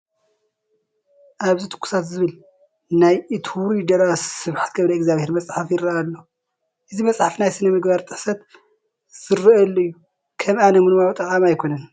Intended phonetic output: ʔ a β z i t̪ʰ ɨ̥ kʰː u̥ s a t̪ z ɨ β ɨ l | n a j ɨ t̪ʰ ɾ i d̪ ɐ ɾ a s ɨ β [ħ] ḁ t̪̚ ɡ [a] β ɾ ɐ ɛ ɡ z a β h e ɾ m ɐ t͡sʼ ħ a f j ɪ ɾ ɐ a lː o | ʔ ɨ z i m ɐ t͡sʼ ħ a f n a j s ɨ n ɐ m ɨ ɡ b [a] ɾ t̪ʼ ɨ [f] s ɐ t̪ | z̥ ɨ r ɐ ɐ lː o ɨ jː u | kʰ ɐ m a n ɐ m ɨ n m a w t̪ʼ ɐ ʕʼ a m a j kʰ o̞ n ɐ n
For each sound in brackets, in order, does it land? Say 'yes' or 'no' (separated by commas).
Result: yes, no, yes, no